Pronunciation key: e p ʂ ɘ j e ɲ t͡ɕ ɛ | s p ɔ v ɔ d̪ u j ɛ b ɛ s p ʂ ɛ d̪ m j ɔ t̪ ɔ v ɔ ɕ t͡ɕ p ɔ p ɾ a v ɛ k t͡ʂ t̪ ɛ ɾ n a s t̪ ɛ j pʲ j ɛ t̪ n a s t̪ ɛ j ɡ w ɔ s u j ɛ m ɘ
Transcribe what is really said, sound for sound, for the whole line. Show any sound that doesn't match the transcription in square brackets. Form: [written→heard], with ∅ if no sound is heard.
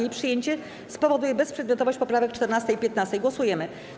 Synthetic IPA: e p ʂ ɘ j e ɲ t͡ɕ ɛ | s p ɔ v ɔ d̪ u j ɛ b ɛ s p ʂ ɛ d̪ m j ɔ t̪ ɔ v ɔ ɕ t͡ɕ p ɔ p ɾ a v ɛ k t͡ʂ t̪ ɛ ɾ n a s t̪ ɛ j pʲ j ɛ t̪ n a s t̪ ɛ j ɡ w ɔ s u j ɛ m ɘ